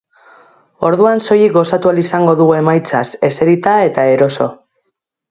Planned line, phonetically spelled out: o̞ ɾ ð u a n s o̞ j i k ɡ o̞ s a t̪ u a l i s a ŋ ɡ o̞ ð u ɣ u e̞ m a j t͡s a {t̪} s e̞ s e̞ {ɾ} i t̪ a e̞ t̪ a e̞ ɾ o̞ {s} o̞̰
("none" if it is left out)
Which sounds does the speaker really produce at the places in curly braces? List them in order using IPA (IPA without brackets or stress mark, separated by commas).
none, ɾ, s